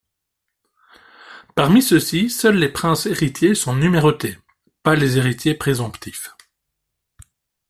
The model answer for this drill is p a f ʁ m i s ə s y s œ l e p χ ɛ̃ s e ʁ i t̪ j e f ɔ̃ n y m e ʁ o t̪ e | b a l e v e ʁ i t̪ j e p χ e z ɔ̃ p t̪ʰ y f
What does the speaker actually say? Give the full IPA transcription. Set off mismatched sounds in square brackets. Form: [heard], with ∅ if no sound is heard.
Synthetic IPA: p a [∅] ʁ m i s ə s [i] s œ [lː] e p χ ɛ̃ s e ʁ i t̪ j e [s] ɔ̃ n y m e ʁ o t̪ e | [p] a l e [z] e ʁ i t̪ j e p χ e z ɔ̃ p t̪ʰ [i] f